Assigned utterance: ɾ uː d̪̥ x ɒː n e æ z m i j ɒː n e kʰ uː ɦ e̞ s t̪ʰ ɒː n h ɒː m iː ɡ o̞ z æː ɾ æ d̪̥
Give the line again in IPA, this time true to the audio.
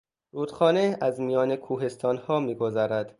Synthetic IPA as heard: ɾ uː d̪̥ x ɒː n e æ z m i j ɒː n e kʰ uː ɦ e̞ s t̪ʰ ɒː n h ɒː m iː ɡ o̞ z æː ɾ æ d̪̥